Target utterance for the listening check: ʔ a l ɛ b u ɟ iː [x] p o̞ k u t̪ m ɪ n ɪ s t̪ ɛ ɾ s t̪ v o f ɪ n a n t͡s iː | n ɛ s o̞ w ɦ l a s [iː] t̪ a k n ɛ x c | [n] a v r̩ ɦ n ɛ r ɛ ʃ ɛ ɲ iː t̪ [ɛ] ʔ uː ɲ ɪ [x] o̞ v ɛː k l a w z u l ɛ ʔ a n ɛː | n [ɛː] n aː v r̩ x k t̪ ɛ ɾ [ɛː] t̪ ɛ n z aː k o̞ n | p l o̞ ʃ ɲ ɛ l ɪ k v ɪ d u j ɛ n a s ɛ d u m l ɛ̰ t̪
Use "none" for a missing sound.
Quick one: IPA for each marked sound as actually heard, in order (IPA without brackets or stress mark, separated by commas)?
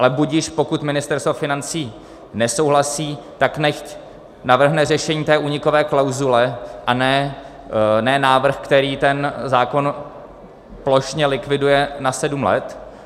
ʃ, iː, n, ɛː, k, ɛː, iː